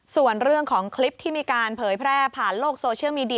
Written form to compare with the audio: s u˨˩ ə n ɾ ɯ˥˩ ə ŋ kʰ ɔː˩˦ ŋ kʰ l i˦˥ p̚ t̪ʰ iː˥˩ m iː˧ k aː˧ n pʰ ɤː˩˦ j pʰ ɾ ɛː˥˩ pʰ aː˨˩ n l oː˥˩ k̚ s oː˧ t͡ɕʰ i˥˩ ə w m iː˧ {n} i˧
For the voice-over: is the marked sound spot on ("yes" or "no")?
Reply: no